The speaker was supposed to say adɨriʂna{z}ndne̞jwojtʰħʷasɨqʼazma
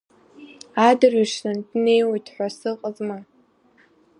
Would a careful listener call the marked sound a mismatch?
yes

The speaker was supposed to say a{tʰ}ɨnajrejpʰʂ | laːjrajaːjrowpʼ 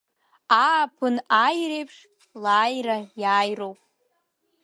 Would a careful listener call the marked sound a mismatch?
yes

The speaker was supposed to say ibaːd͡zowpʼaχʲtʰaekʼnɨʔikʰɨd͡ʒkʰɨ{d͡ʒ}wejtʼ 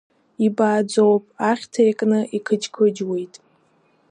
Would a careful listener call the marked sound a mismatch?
no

